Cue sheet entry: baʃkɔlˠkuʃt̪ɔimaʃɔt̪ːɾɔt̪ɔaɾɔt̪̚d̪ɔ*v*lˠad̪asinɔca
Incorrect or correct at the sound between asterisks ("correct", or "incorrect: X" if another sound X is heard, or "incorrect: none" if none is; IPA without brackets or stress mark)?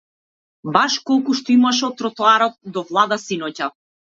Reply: correct